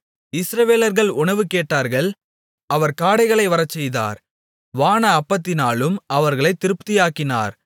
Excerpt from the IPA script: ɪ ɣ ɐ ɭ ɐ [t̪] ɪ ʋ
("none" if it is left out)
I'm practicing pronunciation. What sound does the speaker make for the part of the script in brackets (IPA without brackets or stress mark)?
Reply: none